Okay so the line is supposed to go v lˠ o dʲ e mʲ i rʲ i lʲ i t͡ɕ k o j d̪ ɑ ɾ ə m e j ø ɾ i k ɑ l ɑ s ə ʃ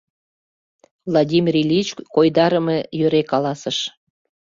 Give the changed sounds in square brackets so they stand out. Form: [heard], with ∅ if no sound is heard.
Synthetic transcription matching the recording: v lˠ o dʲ [i] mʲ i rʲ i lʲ i t͡ɕ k o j d̪ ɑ ɾ ə m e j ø ɾ [e] k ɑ l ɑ s ə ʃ